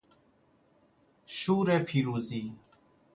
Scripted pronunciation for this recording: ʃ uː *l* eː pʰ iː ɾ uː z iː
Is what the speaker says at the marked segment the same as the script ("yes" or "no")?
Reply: no